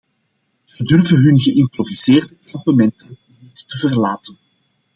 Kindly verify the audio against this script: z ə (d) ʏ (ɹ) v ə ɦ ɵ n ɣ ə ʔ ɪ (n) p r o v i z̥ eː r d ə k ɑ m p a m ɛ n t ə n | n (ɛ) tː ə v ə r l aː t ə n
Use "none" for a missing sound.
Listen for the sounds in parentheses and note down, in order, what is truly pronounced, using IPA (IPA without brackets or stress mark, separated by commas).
d, r, m, i